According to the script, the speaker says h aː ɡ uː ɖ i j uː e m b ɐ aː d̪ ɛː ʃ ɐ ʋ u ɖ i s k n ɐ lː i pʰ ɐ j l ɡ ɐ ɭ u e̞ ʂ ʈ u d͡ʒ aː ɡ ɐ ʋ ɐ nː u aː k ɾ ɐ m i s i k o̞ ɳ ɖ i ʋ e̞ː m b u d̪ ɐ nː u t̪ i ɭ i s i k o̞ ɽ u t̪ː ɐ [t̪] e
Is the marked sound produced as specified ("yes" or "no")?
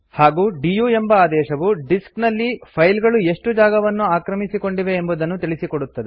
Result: no